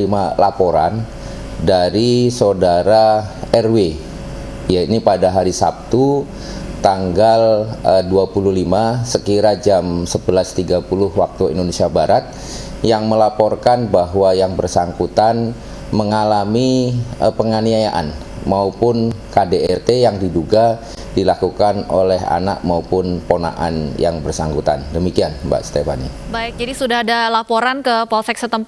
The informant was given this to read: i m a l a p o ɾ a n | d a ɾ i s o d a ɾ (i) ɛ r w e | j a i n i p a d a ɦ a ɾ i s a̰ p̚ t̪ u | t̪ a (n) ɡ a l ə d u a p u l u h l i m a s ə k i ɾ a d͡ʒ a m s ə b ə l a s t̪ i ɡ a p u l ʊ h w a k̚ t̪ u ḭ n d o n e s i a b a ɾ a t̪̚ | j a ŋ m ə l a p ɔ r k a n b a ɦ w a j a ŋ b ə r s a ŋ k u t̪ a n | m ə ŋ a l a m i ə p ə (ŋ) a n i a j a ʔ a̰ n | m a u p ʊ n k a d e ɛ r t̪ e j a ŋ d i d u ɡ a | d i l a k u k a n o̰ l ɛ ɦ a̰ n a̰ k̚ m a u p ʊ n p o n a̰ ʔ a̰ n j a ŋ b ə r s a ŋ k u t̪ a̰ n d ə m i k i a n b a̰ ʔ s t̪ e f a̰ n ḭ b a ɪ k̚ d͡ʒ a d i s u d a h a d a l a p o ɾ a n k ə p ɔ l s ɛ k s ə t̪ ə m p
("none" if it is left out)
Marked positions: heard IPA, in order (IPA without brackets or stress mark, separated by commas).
a, ŋ, ŋ